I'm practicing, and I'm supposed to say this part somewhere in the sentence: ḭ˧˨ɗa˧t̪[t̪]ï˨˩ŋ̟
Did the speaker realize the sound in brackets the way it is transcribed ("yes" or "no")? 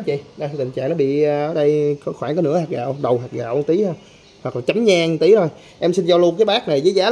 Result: yes